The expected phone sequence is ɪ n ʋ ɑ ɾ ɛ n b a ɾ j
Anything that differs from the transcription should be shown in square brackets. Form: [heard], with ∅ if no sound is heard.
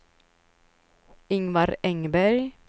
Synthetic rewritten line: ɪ [ŋ] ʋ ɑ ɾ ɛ [ŋ] b [æ] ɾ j